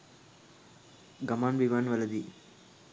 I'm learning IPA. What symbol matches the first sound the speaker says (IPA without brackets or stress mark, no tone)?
ɡ